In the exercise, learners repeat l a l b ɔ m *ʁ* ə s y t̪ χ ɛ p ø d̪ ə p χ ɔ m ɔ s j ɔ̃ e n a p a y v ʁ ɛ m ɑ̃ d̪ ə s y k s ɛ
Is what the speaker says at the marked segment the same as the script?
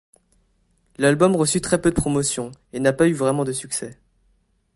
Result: yes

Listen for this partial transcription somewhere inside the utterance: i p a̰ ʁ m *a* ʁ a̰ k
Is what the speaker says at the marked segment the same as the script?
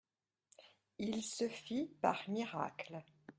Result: no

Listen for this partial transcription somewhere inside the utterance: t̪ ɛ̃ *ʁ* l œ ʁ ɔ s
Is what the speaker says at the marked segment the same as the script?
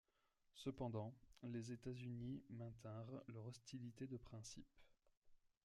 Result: yes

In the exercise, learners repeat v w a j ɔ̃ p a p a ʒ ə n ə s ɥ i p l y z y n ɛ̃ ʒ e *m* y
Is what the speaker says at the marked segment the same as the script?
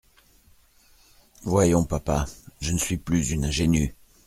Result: no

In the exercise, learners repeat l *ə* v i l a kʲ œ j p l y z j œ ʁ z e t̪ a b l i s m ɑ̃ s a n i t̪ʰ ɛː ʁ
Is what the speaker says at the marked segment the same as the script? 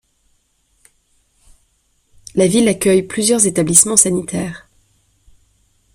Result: no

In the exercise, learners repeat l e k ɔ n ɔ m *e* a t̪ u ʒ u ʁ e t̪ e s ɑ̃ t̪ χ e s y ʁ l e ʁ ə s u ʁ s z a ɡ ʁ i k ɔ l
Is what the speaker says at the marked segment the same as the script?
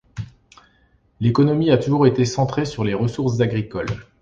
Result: no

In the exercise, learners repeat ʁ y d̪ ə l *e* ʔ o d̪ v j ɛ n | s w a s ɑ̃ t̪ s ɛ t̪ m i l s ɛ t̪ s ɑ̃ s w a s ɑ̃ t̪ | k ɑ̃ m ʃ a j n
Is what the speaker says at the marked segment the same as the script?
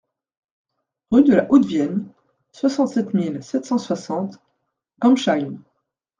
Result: no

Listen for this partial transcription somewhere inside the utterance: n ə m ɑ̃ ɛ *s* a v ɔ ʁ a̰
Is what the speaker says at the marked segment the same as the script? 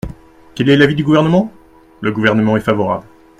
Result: no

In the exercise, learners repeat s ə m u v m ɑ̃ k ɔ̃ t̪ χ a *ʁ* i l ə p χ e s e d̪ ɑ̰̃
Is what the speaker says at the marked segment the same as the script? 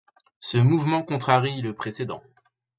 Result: yes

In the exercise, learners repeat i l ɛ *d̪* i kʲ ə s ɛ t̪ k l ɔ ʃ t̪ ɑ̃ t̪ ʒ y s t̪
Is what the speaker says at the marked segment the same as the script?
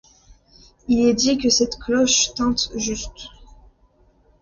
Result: yes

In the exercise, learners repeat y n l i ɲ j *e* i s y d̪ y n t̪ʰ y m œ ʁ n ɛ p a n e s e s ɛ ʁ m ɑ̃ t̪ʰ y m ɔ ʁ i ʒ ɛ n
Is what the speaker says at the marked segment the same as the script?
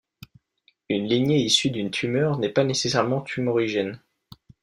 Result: yes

